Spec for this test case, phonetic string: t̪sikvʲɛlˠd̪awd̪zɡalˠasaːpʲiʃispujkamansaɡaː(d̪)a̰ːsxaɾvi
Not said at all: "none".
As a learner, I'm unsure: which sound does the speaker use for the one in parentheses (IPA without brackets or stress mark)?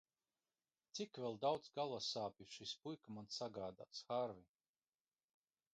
d̪